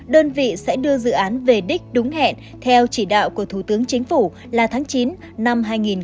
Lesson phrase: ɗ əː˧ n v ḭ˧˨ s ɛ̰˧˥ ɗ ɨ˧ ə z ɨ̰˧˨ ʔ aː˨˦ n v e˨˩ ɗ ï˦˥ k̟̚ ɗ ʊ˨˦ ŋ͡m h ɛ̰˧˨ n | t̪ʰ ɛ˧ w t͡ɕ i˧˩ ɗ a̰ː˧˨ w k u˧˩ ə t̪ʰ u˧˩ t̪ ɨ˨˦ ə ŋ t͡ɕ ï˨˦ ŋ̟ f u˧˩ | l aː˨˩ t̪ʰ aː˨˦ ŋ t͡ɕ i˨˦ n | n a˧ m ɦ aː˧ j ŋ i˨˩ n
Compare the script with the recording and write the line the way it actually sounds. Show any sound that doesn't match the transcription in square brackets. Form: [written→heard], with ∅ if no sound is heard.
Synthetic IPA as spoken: ɗ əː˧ n v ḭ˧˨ s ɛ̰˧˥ ɗ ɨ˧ ə z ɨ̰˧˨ ʔ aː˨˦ n v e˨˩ ɗ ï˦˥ k̟̚ ɗ ʊ˨˦ ŋ͡m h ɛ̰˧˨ n | t̪ʰ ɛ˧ w t͡ɕ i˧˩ ɗ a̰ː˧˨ w k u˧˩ ə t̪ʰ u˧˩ t̪ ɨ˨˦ ə ŋ t͡ɕ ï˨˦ ŋ̟ f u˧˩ | l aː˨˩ t̪ʰ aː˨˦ ŋ t͡ɕ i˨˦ n | n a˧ m ɦ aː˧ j ŋ i˨˩ n

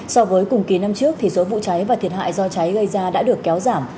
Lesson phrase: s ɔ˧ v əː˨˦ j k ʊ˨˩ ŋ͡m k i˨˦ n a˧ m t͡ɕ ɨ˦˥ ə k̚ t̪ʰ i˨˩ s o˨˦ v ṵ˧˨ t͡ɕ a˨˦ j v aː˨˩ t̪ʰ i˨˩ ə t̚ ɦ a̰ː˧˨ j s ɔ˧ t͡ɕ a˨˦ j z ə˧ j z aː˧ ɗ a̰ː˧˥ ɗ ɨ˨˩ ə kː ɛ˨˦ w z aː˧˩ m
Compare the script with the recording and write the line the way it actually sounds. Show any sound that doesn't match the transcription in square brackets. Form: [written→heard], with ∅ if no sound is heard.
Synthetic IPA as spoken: s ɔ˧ v əː˨˦ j k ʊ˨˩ ŋ͡m k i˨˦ n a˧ m t͡ɕ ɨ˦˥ ə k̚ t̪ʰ i˨˩ s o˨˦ v ṵ˧˨ t͡ɕ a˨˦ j v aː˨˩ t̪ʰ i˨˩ ə t̚ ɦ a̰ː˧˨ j [s→z] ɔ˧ t͡ɕ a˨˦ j [z→ɣ] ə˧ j z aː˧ ɗ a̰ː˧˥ ɗ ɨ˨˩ ə kː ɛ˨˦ w z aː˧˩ m

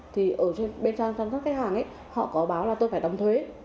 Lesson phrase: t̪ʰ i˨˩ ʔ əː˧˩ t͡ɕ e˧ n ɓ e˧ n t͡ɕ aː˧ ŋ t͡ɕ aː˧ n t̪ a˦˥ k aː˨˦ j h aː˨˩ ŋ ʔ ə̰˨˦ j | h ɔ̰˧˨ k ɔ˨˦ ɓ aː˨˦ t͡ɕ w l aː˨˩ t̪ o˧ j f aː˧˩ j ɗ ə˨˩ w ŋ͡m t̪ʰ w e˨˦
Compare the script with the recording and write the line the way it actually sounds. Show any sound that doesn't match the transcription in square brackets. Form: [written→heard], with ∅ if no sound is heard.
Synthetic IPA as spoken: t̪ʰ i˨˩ ʔ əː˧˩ t͡ɕ e˧ n ɓ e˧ n t͡ɕ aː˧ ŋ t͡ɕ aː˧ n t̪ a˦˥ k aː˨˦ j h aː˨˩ ŋ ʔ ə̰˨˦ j | h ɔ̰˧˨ k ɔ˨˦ ɓ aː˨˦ [t͡ɕ→∅] w l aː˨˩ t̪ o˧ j f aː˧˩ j ɗ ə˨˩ w ŋ͡m t̪ʰ w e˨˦

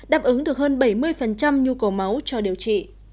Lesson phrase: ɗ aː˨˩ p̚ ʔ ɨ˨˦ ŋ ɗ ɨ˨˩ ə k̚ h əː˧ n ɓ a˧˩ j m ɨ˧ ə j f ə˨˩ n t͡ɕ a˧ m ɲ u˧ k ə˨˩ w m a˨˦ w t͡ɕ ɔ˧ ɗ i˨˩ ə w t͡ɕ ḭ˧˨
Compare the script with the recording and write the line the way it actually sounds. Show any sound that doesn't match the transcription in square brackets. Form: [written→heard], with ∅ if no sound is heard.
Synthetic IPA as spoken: ɗ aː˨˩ p̚ ʔ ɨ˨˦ ŋ ɗ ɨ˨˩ ə k̚ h əː˧ n ɓ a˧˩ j m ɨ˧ ə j f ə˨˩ n t͡ɕ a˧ m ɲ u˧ k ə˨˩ w m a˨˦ w t͡ɕ ɔ˧ ɗ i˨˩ ə w t͡ɕ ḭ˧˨

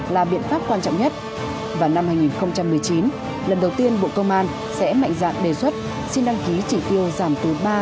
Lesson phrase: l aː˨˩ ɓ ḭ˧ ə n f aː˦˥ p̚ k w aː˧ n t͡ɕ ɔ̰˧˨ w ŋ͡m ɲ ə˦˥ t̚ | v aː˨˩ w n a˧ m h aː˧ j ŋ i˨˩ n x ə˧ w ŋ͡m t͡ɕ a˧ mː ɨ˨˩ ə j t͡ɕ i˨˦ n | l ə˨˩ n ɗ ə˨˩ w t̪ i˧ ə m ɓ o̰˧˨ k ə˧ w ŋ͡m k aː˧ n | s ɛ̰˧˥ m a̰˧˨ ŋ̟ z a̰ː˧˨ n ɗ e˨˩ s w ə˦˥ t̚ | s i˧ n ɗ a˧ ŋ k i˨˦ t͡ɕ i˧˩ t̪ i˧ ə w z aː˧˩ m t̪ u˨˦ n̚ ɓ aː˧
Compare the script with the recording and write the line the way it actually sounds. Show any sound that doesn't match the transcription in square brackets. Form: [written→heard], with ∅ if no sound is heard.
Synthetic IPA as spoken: l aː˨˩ ɓ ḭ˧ ə n f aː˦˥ p̚ k w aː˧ n t͡ɕ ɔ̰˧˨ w ŋ͡m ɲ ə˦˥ t̚ | v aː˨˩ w n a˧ m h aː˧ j ŋ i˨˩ n x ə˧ w ŋ͡m t͡ɕ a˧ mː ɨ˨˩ ə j t͡ɕ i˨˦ n | l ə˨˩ n ɗ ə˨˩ w t̪ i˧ ə [m→n] ɓ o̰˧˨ k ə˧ w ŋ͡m [k→ʔ] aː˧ n | s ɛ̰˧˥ m a̰˧˨ ŋ̟ z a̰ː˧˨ n ɗ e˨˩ s w ə˦˥ t̚ | s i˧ n ɗ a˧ ŋ k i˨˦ t͡ɕ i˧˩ t̪ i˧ ə w z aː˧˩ m t̪ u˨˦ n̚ ɓ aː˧

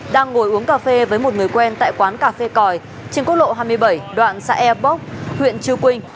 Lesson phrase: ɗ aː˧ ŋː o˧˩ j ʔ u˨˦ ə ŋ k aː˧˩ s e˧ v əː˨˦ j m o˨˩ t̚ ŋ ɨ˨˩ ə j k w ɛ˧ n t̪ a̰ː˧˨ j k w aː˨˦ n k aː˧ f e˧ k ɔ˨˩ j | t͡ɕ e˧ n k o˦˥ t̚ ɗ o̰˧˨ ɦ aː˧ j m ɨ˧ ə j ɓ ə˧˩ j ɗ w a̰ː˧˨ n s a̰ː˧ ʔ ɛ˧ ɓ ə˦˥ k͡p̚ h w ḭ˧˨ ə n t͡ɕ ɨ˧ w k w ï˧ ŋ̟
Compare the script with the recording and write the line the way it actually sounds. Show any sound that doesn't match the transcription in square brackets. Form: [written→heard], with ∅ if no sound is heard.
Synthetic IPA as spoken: ɗ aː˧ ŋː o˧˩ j ʔ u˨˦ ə ŋ k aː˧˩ [s→f] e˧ v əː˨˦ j m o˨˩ t̚ ŋ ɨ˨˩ ə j k w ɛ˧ n t̪ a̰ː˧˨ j k w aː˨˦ n k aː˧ f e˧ k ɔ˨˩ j | t͡ɕ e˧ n k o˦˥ t̚ ɗ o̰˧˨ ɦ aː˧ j m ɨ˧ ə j ɓ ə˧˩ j ɗ w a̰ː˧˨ n s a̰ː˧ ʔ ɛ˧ ɓ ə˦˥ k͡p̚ h w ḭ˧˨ ə n t͡ɕ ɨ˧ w k w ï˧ ŋ̟

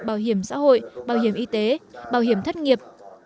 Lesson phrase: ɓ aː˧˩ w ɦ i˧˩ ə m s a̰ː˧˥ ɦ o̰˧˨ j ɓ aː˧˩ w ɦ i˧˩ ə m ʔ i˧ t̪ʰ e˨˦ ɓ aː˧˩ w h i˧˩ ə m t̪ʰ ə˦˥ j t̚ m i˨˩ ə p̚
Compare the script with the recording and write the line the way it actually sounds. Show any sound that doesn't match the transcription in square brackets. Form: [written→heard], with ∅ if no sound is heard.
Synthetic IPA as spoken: ɓ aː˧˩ w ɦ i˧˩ ə m s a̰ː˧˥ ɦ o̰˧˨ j ɓ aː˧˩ w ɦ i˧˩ ə m ʔ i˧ [t̪ʰ→t̪] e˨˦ ɓ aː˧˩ w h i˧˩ ə m t̪ʰ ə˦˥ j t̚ [m→ŋ] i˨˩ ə p̚

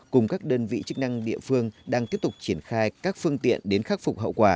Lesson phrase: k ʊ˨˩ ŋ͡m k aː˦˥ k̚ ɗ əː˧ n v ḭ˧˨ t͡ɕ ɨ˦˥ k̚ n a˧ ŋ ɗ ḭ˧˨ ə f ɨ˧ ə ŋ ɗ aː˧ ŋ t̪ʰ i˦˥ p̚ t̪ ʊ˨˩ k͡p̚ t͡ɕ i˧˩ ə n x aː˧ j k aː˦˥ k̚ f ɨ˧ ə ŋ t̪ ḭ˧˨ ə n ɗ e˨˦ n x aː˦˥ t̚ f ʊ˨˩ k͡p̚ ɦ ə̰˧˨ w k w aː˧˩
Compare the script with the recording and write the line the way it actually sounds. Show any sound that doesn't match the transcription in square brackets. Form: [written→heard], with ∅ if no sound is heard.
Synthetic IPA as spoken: k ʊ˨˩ ŋ͡m k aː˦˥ k̚ ɗ əː˧ n v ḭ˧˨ t͡ɕ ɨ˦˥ k̚ n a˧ ŋ ɗ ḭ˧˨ ə f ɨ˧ ə ŋ ɗ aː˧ ŋ [t̪ʰ→t̪] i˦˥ p̚ t̪ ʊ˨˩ k͡p̚ t͡ɕ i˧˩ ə n x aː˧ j k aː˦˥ k̚ f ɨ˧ ə ŋ t̪ ḭ˧˨ ə n ɗ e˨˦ n x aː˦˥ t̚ f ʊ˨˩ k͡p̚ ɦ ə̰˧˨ w k w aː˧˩

